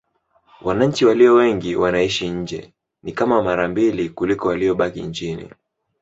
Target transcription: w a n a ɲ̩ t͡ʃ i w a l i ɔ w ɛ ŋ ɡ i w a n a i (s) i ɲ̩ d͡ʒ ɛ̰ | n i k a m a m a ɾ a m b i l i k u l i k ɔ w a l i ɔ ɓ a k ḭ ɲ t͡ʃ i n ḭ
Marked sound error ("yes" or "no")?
yes